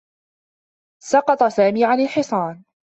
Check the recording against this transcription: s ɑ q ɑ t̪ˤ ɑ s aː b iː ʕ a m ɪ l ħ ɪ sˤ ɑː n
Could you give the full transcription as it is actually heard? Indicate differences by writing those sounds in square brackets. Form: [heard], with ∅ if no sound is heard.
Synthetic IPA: s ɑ q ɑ t̪ˤ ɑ s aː [m] iː ʕ a [n] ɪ l ħ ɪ sˤ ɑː n